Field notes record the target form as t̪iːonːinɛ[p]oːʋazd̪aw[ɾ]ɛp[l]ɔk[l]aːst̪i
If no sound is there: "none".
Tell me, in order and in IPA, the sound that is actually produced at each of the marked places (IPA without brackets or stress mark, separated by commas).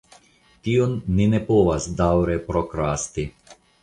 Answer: p, ɾ, ɾ, ɾ